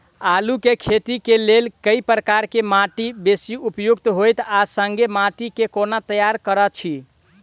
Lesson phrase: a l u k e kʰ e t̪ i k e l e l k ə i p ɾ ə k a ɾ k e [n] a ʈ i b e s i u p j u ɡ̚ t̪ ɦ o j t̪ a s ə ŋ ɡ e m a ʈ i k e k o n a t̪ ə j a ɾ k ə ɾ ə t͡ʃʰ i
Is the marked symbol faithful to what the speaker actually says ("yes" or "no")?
no